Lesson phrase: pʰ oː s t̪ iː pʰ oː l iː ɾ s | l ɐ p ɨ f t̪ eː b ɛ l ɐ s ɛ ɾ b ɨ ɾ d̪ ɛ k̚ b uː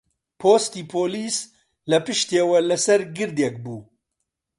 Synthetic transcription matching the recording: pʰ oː s t̪ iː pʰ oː l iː s | l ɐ p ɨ ʃ t̪ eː w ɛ l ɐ s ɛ ɾ ɡ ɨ ɾ d̪ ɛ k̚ b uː

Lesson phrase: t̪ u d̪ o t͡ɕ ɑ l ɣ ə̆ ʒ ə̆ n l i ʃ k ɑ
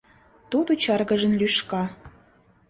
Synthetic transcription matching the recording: t̪ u d̪ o t͡ɕ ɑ r ɣ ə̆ ʒ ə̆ n l y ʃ k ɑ

